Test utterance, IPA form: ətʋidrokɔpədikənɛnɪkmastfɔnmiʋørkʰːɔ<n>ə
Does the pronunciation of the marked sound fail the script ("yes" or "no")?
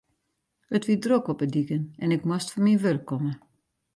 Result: yes